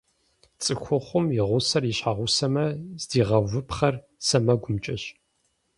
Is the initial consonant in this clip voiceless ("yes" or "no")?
yes